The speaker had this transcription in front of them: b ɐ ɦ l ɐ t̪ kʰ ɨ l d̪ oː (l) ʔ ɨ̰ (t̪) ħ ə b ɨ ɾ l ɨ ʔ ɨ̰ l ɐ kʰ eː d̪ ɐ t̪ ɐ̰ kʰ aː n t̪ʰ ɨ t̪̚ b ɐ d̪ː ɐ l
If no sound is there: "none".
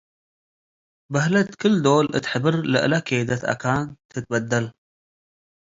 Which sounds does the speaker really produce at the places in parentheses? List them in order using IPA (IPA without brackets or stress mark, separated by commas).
l, t̪